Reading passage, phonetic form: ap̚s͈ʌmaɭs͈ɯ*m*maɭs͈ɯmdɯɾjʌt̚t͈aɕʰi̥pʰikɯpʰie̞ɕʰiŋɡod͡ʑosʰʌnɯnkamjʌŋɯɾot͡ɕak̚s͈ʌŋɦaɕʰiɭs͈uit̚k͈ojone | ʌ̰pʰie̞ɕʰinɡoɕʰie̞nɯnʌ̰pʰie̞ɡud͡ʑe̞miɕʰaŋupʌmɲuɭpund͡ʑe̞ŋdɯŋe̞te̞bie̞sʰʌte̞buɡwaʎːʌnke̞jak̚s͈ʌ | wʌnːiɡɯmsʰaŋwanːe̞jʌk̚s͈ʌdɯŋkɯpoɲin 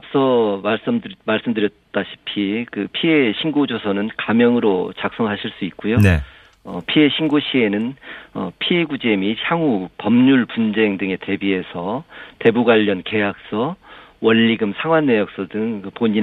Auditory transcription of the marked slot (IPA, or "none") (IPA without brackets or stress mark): m